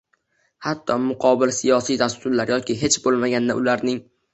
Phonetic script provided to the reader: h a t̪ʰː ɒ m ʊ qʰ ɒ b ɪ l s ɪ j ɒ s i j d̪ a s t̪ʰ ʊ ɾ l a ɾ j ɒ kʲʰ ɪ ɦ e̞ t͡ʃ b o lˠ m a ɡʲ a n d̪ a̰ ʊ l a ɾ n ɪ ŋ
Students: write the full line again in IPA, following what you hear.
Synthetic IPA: h a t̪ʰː ɒ m ʊ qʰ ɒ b ɪ l s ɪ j ɒ s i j d̪ a s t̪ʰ ʊ ɾ l a ɾ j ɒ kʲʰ ɪ ɦ e̞ t͡ʃ b o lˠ m a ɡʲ a n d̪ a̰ ʊ l a ɾ n ɪ ŋ